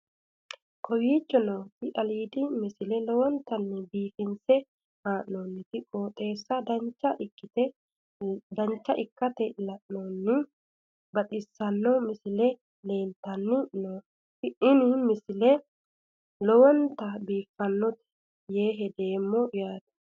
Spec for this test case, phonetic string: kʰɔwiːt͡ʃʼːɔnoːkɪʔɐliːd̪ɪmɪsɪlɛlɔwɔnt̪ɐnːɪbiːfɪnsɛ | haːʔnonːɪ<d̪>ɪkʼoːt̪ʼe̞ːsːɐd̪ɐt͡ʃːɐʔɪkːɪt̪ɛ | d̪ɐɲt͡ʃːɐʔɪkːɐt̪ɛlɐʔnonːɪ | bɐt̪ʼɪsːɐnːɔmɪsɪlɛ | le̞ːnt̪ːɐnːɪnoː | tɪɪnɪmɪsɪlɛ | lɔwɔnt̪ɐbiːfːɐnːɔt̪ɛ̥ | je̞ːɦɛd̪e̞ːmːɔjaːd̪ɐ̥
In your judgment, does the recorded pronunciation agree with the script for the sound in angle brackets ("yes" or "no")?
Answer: no